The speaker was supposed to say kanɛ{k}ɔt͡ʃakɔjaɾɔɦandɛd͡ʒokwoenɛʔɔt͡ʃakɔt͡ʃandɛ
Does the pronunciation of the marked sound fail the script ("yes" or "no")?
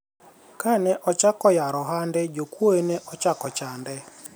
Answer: yes